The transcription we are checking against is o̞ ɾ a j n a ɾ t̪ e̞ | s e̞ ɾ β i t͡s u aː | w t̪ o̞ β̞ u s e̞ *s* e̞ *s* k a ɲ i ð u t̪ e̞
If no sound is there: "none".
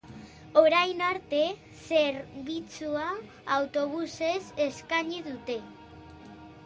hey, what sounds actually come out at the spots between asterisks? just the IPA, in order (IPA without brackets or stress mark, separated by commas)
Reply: s, s